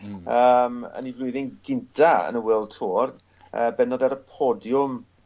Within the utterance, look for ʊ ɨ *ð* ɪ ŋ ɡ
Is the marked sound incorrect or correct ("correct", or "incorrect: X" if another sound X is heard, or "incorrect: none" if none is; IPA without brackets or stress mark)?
correct